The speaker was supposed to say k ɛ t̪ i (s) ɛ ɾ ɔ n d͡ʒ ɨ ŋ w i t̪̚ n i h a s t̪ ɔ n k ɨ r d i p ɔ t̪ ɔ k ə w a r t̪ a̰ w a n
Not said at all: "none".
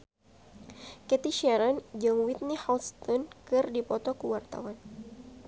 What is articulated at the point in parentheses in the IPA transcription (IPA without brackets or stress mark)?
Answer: ʃ